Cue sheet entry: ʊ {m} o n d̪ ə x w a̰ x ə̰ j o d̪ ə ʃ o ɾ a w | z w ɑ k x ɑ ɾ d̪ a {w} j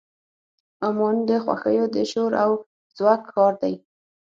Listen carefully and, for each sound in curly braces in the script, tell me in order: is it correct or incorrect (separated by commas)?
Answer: correct, incorrect